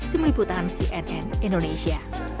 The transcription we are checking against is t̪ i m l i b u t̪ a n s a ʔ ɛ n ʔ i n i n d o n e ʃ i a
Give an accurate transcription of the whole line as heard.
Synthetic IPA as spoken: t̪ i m l i b u t̪ a n s i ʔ ɛ n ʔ ɛ n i n d o n e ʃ i a